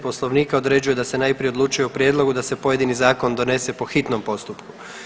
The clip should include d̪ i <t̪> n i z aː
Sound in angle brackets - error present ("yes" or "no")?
yes